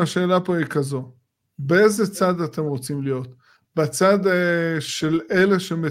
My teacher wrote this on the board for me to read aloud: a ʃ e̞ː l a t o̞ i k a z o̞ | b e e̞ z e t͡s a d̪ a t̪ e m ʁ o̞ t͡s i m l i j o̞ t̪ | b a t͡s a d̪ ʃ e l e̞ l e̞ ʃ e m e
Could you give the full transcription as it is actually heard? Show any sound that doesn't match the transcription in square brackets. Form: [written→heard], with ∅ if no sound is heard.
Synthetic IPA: a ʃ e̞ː l a [t→p] o̞ i k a z o̞ | b e e̞ z e t͡s a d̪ a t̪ e m ʁ o̞ t͡s i m l i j o̞ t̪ | b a t͡s a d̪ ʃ e l e̞ l e̞ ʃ e m e